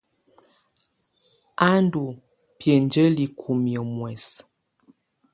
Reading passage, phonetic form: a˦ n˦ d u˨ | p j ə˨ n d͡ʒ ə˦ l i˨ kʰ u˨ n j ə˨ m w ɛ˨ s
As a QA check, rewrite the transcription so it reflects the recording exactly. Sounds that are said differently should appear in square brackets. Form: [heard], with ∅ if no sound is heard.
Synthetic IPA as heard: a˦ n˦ d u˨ | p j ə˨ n d͡ʒ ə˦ l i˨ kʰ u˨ [m] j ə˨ m w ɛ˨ s